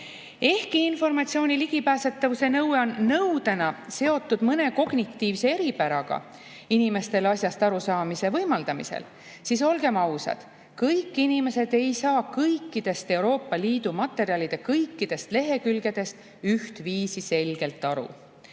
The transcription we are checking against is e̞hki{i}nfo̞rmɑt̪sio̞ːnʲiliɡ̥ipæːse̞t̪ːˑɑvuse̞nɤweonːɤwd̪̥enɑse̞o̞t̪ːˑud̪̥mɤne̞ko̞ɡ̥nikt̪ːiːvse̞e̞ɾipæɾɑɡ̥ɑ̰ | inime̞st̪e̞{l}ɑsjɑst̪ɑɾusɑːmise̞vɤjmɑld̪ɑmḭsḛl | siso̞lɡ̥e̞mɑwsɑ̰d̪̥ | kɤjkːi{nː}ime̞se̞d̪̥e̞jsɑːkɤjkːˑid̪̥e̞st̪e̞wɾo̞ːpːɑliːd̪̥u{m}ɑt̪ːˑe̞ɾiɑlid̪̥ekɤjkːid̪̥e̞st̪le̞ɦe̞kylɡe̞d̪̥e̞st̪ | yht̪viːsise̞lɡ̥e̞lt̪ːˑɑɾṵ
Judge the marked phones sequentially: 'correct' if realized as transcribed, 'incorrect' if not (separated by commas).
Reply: correct, correct, incorrect, correct